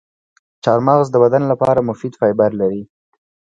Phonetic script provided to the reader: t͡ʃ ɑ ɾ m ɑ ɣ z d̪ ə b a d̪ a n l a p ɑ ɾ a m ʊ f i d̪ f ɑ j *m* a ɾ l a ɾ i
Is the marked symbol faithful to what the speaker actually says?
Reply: no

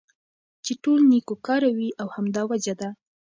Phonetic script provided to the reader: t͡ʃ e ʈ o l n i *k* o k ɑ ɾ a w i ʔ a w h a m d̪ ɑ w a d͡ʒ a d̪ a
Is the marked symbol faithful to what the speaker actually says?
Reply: yes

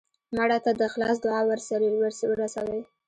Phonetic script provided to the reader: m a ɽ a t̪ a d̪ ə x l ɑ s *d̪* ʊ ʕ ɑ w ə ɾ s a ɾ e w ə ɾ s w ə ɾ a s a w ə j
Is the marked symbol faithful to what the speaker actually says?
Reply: yes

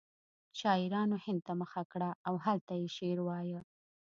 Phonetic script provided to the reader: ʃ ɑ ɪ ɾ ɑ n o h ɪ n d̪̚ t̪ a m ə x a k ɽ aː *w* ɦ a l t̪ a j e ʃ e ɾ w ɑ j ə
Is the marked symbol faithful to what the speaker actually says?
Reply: yes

